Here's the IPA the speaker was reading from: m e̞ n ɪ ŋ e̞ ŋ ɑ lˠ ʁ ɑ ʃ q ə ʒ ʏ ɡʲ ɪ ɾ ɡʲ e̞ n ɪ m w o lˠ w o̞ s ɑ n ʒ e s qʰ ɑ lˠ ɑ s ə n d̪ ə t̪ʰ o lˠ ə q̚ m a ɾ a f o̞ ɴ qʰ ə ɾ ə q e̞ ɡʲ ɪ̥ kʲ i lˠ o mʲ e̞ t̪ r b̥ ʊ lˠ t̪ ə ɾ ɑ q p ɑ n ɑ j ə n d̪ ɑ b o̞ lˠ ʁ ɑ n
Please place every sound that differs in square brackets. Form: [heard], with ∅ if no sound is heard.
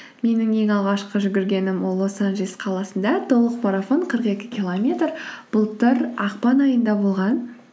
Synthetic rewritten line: m e̞ n ɪ ŋ e̞ ŋ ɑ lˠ ʁ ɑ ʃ q ə ʒ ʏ ɡʲ ɪ ɾ ɡʲ e̞ n ɪ m w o lˠ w o̞ s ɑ n ʒ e s qʰ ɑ lˠ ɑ s ə n d̪ [ɑ] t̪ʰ o lˠ ə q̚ m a ɾ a f o̞ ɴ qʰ ə ɾ ə q e̞ [kʲ] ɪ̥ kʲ i lˠ o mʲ e̞ t̪ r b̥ ʊ lˠ t̪ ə ɾ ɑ q p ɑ n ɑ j ə n d̪ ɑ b o̞ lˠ ʁ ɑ n